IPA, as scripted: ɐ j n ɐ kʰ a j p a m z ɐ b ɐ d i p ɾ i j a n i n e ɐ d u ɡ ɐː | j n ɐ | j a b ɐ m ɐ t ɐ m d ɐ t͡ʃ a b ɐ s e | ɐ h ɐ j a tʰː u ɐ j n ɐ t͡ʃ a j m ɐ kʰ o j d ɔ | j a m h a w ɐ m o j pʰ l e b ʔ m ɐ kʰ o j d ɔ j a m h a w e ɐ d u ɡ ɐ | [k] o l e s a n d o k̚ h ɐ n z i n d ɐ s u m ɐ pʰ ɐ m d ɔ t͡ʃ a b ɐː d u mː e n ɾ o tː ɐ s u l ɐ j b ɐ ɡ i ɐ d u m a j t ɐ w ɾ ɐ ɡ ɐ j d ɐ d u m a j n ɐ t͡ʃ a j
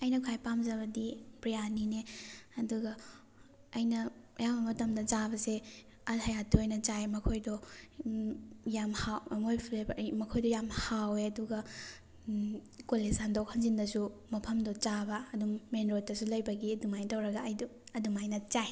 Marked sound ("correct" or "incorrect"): correct